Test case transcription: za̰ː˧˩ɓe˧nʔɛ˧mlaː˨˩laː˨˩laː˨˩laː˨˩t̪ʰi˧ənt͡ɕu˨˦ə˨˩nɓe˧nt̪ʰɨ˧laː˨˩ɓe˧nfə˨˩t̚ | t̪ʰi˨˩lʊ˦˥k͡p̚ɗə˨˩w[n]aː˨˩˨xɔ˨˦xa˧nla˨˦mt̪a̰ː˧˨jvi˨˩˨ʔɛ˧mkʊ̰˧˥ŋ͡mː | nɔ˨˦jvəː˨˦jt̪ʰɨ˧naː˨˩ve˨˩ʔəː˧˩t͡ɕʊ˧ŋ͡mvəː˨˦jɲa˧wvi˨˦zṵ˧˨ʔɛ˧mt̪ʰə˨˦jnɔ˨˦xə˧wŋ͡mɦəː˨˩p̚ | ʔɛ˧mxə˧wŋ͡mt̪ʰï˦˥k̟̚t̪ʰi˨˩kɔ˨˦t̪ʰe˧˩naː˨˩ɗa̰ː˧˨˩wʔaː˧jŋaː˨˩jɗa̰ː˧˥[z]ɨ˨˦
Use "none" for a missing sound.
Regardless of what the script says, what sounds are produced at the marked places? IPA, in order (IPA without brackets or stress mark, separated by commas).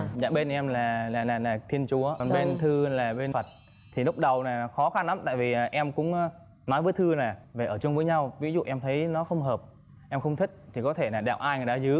n, z